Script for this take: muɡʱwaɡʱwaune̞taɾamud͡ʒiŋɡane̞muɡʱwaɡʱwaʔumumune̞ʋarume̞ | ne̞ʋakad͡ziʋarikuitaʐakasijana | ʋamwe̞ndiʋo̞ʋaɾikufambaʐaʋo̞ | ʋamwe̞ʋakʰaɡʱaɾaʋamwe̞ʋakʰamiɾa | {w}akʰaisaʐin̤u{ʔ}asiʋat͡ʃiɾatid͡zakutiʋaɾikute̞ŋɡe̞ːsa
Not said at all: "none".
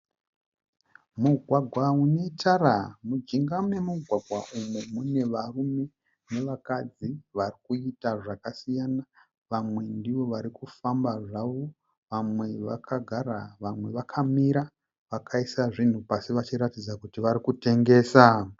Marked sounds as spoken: ʋ, p

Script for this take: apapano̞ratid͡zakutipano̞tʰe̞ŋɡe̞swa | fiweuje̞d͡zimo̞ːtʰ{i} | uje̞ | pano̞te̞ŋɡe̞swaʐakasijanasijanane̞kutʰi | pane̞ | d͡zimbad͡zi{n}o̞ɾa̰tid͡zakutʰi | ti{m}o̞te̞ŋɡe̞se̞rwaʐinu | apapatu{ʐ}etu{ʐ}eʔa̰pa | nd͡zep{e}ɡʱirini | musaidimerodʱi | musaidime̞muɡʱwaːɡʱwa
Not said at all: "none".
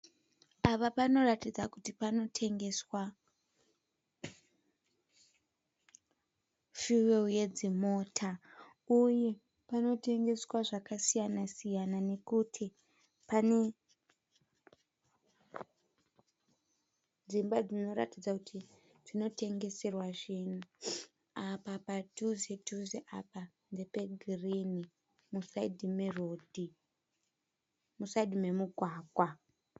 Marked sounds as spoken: a, n, n, z, z, e

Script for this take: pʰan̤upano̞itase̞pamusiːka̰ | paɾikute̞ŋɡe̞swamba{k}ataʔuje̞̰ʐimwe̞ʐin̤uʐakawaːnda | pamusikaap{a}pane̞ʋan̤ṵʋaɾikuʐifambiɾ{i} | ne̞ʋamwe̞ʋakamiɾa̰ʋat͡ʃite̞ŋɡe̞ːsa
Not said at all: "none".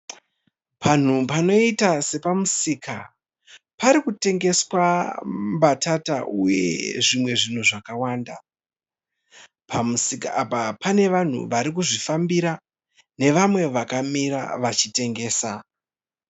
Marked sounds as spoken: t, a, a

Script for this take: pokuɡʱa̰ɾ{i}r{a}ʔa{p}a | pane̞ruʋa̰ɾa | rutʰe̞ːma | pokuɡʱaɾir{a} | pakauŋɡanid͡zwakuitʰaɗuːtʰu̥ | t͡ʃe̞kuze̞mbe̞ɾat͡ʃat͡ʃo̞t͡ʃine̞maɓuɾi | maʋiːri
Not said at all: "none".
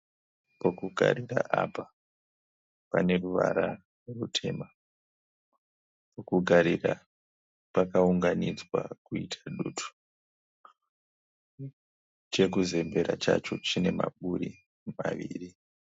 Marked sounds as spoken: i, a, p, a

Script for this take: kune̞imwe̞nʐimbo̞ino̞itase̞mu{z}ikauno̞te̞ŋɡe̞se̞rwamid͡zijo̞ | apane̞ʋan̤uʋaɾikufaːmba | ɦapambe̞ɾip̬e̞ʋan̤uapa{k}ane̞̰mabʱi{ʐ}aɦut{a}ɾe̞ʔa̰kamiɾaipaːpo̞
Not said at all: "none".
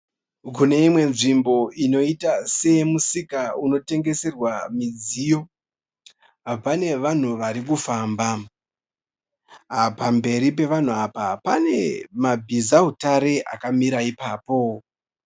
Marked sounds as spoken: s, p, z, a

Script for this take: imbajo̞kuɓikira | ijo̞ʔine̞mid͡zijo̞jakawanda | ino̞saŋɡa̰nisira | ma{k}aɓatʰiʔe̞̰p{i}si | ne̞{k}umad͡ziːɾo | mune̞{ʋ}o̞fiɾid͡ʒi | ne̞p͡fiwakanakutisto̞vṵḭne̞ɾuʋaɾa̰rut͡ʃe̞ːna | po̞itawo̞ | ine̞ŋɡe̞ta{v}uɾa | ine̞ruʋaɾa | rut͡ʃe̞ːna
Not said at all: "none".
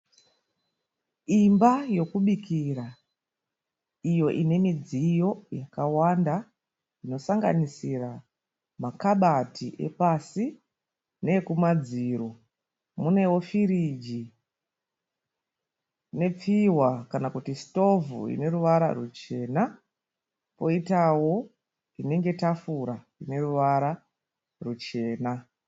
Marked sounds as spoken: k, a, k, w, f

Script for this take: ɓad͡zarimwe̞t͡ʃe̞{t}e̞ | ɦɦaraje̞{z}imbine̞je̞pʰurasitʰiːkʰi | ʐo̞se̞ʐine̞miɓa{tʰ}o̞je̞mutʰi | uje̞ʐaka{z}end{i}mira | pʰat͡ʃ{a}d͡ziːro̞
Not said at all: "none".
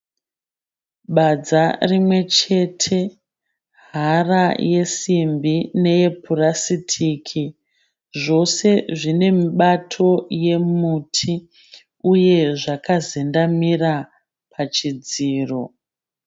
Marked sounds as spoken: tʰ, s, tʰ, z, a, i

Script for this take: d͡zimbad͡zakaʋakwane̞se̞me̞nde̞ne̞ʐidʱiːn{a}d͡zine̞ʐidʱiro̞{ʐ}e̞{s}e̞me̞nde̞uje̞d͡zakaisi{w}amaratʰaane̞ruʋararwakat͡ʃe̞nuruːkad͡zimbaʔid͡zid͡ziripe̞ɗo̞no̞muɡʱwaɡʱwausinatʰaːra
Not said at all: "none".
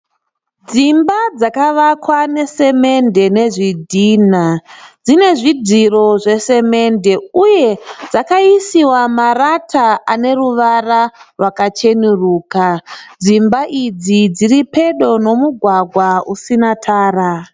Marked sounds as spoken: a, ʐ, s, w

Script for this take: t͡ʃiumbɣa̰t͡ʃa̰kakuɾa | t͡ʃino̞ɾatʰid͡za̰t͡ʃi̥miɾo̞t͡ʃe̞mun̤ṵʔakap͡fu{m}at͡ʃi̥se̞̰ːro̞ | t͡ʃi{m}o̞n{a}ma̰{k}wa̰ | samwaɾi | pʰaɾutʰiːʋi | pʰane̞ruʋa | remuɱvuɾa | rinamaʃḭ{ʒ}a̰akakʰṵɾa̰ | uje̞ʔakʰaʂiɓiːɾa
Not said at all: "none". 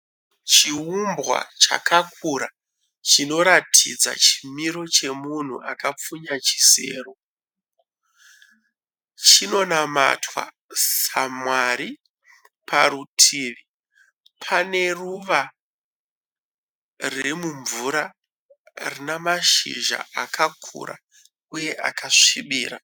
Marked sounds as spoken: ɲ, n, a, t, ʒ

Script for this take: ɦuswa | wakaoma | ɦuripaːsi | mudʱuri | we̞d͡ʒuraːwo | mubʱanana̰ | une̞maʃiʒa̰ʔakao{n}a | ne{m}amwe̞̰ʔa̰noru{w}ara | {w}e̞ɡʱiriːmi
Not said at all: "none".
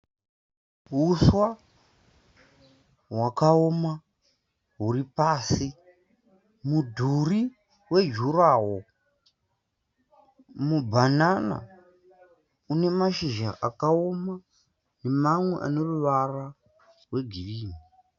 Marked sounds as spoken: m, m, ʋ, w

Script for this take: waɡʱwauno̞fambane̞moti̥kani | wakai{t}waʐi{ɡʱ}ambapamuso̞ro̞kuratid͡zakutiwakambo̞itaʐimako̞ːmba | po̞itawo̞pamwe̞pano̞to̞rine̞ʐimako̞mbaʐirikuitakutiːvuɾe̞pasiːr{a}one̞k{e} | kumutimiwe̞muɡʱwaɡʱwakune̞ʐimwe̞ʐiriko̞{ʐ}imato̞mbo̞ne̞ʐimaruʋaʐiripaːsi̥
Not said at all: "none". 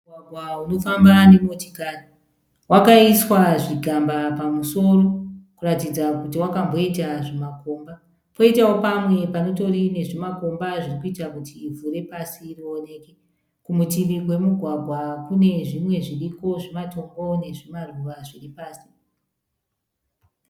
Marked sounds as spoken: s, ɡʱ, i, e, ʐ

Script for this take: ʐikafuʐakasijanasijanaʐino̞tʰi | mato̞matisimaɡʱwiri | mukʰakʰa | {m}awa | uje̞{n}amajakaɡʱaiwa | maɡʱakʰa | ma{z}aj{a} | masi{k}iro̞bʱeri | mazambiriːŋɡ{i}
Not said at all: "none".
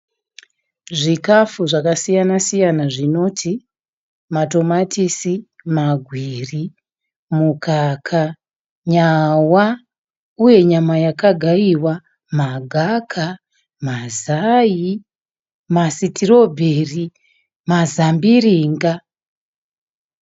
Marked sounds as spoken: ɲ, ɲ, z, i, t, a

